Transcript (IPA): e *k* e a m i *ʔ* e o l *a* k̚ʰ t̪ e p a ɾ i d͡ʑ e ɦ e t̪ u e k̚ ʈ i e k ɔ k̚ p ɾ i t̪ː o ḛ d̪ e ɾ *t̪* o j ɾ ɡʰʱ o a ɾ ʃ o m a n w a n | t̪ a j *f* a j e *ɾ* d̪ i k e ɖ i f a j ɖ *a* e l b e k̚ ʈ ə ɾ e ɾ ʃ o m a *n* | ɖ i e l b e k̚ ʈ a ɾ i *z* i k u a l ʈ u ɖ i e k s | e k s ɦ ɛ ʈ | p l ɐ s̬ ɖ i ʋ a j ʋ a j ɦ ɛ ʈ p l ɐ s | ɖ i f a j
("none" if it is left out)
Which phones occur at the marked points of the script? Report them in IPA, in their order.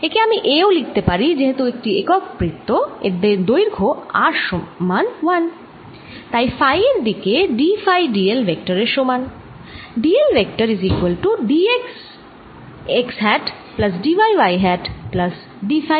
k, ʔ, i, d̪, f, ɾ, i, n, z

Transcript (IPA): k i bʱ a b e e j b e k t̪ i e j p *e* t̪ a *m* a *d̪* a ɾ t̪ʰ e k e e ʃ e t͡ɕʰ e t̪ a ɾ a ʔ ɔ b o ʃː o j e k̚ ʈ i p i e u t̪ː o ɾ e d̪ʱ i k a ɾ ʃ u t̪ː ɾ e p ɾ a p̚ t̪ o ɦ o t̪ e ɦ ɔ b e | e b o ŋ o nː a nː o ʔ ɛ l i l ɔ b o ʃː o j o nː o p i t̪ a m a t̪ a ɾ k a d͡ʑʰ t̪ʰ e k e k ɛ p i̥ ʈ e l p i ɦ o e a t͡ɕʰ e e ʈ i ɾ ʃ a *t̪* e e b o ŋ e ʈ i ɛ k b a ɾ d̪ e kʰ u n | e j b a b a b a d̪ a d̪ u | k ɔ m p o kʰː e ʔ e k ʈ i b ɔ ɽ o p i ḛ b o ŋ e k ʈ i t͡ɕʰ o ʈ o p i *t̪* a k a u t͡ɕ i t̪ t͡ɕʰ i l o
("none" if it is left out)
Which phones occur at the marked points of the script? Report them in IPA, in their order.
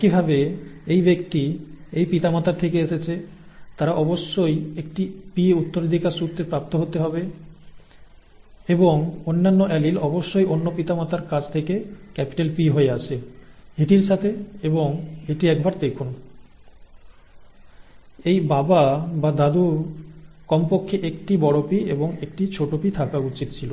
i, m, t̪, t̪ʰ, t̪ʰ

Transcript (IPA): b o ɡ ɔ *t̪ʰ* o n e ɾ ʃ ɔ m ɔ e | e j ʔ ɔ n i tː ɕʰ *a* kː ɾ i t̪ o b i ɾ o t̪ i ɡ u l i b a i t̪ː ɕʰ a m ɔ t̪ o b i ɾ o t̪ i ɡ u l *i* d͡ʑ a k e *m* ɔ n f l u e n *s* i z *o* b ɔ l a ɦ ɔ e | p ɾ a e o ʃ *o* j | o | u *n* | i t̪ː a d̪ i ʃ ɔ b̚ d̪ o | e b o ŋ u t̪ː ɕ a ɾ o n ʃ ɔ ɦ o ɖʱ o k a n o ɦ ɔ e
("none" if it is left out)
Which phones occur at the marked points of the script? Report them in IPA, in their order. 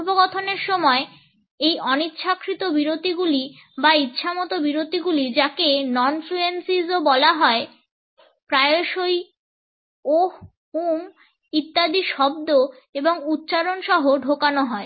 t̪ʰ, a, i, n, s, o, o, m

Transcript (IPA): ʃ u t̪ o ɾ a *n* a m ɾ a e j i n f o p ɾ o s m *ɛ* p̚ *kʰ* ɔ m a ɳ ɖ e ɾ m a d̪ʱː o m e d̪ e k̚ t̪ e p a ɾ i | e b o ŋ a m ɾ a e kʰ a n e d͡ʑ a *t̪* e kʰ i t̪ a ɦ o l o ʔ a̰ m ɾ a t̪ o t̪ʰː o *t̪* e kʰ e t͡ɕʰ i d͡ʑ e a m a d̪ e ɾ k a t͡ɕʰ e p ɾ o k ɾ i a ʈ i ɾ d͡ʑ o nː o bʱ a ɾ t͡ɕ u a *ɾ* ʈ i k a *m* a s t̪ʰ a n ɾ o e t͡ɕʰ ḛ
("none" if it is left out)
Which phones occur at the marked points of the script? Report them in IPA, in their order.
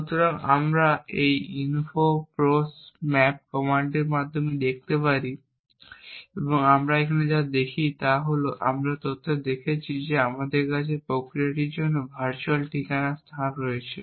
ŋ, ɛ, k, d̪, d̪, l, n

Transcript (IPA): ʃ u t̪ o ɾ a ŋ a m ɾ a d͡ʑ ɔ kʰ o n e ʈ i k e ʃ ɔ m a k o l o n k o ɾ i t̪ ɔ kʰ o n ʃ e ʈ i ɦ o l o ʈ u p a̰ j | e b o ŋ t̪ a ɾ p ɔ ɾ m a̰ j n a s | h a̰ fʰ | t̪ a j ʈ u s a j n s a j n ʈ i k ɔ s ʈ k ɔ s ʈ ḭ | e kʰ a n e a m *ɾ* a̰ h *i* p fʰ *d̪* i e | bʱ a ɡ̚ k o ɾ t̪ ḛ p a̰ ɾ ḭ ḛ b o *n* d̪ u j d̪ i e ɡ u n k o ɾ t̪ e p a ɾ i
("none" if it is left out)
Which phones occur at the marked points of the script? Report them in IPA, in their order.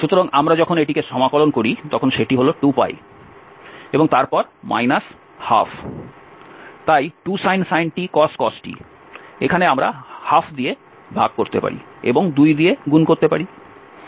ɾ, a, d̪, ŋ

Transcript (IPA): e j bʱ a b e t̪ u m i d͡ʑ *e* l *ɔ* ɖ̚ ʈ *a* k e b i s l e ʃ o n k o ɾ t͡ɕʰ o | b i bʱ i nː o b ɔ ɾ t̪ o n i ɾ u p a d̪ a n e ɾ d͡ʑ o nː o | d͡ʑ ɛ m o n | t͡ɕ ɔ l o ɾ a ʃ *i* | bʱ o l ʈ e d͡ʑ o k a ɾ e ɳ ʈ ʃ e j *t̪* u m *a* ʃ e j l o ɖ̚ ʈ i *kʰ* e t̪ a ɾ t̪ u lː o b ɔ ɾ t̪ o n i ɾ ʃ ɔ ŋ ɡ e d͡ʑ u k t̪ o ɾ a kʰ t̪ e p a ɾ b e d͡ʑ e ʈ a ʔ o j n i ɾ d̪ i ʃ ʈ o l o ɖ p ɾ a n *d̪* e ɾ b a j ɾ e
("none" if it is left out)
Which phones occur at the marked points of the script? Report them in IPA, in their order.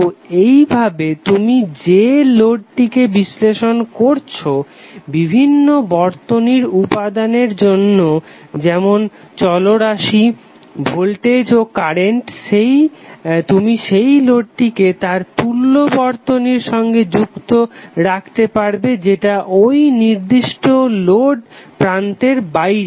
e, o, i, i, t̪, i, k, t̪

